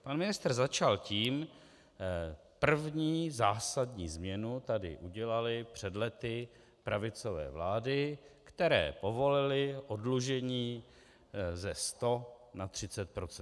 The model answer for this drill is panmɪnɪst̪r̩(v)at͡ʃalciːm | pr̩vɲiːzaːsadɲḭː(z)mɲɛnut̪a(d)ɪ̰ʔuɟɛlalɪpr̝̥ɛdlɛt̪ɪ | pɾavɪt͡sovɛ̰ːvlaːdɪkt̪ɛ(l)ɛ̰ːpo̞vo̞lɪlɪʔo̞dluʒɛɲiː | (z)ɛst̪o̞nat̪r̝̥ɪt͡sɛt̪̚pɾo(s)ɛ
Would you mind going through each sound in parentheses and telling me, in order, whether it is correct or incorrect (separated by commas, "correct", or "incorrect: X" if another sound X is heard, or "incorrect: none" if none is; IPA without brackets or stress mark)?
incorrect: z, correct, correct, incorrect: ɾ, correct, incorrect: t͡s